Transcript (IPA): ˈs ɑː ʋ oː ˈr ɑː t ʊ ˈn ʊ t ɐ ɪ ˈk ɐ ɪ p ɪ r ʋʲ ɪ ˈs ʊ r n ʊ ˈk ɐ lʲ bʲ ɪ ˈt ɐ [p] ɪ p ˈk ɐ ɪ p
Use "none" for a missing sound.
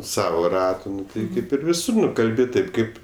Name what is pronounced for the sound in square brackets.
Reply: none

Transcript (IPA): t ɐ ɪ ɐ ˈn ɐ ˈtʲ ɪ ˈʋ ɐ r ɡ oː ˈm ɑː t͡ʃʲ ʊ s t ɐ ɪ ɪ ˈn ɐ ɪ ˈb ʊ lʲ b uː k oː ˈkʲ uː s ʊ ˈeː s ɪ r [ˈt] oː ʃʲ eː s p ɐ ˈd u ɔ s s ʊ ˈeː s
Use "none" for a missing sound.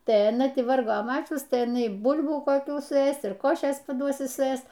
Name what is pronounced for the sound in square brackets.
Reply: k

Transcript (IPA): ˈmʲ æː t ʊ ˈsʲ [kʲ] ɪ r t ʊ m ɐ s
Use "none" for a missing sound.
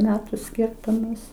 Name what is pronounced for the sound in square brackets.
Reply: kʲ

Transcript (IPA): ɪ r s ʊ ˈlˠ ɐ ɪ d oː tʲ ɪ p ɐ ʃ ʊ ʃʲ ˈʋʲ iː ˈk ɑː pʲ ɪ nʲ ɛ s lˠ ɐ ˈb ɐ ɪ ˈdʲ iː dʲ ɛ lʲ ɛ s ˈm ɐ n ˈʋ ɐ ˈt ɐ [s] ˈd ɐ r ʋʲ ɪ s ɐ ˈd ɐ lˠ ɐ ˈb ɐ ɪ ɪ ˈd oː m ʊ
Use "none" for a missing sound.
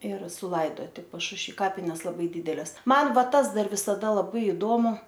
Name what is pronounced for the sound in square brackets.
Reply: s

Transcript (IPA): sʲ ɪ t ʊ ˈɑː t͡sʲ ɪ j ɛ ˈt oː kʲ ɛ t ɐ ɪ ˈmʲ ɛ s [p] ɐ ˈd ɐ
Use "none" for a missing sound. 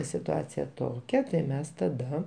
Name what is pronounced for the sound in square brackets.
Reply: t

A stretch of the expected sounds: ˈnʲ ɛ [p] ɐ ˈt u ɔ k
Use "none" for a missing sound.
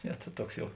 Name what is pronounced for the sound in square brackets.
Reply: t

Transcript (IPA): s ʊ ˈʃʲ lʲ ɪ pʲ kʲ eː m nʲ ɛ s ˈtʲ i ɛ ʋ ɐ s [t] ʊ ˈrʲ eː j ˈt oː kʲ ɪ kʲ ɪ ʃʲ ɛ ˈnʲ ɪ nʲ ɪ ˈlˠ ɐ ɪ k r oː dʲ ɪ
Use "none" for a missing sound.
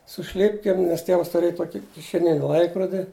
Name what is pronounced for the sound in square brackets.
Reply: t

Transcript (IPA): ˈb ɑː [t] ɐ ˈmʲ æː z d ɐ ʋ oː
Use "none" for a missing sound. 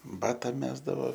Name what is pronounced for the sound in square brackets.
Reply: t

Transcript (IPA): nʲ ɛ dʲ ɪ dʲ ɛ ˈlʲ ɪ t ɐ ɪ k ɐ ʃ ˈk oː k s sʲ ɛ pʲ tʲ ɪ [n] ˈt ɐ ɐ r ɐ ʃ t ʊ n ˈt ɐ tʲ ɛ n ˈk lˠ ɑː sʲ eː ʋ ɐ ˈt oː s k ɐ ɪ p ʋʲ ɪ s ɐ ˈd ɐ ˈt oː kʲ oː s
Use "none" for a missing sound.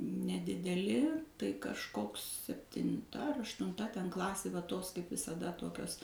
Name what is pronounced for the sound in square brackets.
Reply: n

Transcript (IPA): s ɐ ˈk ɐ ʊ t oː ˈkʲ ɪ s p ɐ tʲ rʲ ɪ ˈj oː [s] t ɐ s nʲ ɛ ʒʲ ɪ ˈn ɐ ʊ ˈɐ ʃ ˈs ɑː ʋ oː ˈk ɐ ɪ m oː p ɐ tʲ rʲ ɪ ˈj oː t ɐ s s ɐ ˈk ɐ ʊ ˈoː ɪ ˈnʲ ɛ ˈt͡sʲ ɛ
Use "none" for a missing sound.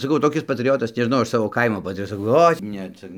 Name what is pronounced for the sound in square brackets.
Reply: none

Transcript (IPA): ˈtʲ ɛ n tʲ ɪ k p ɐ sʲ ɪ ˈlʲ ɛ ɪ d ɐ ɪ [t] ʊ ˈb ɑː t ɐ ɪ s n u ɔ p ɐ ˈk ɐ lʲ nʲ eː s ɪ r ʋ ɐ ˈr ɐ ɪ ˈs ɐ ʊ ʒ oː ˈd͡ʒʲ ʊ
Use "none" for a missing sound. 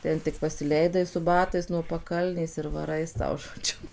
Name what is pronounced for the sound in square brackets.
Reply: s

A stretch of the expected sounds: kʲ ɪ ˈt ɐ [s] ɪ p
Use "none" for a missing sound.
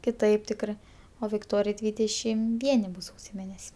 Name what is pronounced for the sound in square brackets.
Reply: none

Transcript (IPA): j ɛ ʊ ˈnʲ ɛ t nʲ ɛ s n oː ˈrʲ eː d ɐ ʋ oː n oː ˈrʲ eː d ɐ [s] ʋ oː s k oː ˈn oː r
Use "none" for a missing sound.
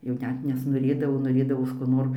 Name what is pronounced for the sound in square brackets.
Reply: none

